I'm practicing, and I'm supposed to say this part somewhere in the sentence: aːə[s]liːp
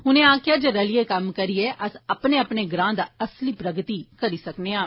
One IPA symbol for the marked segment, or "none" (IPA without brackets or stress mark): s